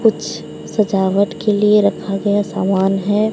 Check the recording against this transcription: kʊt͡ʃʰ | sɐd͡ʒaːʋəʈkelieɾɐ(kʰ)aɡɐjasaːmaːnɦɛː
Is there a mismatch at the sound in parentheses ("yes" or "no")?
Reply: no